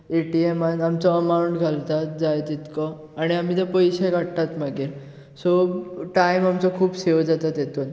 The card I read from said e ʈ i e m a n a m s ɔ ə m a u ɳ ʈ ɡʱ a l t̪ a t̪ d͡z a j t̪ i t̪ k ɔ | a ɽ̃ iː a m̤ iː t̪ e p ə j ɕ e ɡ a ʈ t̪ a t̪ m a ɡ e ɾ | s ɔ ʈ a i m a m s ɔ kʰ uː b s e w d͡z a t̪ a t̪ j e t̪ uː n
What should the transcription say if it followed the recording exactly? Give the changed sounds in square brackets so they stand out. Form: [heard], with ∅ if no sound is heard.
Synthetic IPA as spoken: e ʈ i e m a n a m [t͡s] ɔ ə m a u ɳ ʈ ɡʱ a l t̪ a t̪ d͡z a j t̪ i t̪ k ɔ | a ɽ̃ [i] a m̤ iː t̪ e p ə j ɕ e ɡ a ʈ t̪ a t̪ m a ɡ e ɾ | s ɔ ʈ a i m a m [t͡s] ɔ kʰ uː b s e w d͡z a t̪ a t̪ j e t̪ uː n